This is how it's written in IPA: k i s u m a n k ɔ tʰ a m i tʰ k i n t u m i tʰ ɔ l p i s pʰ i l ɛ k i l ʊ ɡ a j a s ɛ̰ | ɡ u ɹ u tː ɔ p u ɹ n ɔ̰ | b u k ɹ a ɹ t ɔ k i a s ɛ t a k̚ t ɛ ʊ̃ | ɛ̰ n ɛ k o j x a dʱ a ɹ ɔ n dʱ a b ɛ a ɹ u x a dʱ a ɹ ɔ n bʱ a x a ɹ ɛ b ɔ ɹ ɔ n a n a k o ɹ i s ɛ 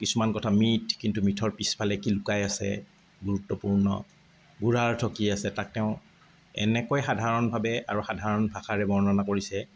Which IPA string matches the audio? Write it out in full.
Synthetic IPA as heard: k i s u m a n k ɔ tʰ a m i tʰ k i n t u m i tʰ ɔ ɹ p i s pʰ a l ɛ k i l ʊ k a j a s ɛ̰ | ɡ u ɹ u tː ɔ p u ɹ n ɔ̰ | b u ɹ a ɹ tʰ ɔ k i a s ɛ t a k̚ t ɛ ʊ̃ | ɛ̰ n ɛ k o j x a dʱ a ɹ ɔ n bʱ a b ɛ a ɹ u x a dʱ a ɹ ɔ n bʱ a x a ɹ ɛ b ɔ ɹ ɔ n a n a k o ɹ i s ɛ